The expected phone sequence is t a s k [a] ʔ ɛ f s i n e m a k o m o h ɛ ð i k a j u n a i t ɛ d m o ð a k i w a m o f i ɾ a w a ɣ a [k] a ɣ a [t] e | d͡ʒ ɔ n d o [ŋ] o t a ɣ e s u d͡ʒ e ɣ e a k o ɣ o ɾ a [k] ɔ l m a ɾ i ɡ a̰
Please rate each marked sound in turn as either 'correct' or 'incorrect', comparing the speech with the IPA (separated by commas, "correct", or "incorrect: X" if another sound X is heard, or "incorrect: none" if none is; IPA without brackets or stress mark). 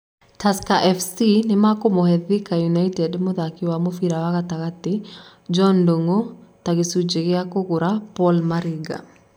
correct, incorrect: t, correct, correct, incorrect: p